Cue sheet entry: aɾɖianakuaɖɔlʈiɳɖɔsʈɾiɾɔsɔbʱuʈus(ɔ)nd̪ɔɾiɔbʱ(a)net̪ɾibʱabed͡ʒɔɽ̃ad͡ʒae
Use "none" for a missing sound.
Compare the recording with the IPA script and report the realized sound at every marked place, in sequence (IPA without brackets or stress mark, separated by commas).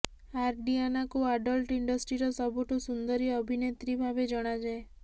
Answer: u, i